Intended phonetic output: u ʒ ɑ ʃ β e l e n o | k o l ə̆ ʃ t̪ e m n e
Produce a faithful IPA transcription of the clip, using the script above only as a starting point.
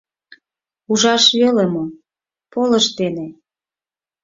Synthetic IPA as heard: u ʒ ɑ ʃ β e l e m o | p o l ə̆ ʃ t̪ e n e